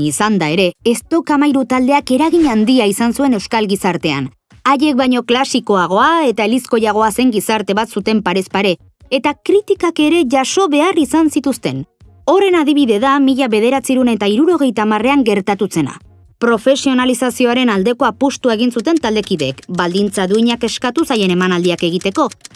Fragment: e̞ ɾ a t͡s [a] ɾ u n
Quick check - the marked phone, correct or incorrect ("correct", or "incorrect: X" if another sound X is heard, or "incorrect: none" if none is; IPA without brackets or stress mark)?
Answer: incorrect: i